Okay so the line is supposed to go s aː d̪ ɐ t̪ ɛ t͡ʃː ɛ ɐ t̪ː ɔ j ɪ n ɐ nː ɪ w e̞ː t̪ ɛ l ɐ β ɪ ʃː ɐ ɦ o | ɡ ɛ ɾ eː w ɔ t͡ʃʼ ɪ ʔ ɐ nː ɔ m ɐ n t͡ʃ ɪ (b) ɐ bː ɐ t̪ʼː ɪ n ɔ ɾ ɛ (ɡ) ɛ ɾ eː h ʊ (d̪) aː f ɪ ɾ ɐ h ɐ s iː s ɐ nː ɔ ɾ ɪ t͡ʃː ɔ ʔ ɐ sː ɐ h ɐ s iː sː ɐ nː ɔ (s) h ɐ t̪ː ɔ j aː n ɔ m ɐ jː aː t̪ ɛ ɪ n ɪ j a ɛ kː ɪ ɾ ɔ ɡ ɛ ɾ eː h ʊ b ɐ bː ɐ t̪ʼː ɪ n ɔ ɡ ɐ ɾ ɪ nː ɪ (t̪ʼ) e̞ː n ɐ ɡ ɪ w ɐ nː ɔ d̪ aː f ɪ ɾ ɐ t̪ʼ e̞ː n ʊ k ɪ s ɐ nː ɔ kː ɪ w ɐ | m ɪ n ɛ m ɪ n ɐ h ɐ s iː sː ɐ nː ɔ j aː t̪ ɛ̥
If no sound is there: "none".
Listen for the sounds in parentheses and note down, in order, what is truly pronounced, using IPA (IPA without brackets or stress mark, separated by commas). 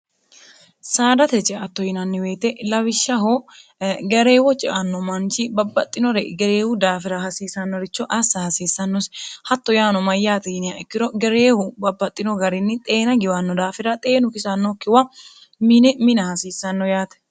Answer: b, ɡ, d̪, s, t̪ʼ